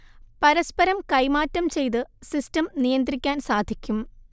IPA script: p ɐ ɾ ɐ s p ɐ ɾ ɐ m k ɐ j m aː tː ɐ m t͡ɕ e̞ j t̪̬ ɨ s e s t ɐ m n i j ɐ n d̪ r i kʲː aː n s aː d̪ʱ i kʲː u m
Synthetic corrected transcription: p ɐ ɾ ɐ s p ɐ ɾ ɐ m k ɐ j m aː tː ɐ m t͡ɕ e̞ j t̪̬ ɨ s i s t ɐ m n i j ɐ n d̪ r i kʲː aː n s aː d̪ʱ i kʲː u m

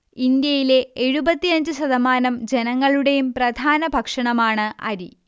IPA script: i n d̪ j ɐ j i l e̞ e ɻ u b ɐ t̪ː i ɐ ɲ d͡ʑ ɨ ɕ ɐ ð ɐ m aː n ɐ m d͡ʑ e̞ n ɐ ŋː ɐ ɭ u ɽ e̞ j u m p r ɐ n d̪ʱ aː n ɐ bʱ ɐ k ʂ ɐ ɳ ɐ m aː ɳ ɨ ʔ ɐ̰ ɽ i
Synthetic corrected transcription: i n d̪ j ɐ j i l e̞ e ɻ u b ɐ t̪ː i ɐ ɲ d͡ʑ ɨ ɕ ɐ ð ɐ m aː n ɐ m d͡ʑ e̞ n ɐ ŋː ɐ ɭ u ɽ e̞ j u m p r ɐ d̪ʱ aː n ɐ bʱ ɐ k ʂ ɐ ɳ ɐ m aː ɳ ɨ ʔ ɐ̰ ɾ i

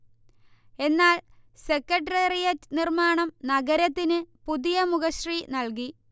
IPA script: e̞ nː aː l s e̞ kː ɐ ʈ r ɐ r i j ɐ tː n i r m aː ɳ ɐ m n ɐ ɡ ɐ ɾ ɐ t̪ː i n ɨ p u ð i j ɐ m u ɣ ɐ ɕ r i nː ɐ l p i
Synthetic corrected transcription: e̞ nː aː l s e̞ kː ɐ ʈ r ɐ r i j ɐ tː n i r m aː ɳ ɐ m n ɐ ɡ ɐ ɾ ɐ t̪ː i n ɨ p u ð i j ɐ m u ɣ ɐ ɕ r i n ɐ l k i

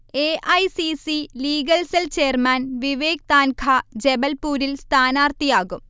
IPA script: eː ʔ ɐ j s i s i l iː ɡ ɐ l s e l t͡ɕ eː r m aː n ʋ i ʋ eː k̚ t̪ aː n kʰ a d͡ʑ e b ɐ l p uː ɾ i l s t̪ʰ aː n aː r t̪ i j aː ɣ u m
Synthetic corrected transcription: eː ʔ ɐ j s i s i l iː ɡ ɐ l s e l t͡ɕ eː r m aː n ʋ i ʋ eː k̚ t̪ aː n kʰ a d͡ʑ e b ɐ l p uː ɾ i l s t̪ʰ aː n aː r t̪ i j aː ɣ u m

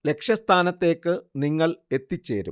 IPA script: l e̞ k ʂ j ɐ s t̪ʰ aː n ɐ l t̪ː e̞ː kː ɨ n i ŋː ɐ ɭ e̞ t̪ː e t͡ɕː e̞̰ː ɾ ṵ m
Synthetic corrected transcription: l e̞ k ʂ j ɐ s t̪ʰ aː n ɐ t̪ː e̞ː kː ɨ n i ŋː ɐ ɭ e̞ t̪ː i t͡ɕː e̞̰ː ɾ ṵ m

